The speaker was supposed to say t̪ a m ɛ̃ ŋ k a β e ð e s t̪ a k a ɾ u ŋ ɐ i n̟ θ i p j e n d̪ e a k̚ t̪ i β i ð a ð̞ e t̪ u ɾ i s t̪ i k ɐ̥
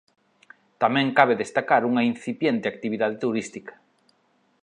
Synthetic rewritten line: t̪ a m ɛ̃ ŋ k a β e ð e s t̪ a k a ɾ u ŋ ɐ i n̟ θ i p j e n t̪ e a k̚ t̪ i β i ð a ð̞ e t̪ u ɾ i s t̪ i k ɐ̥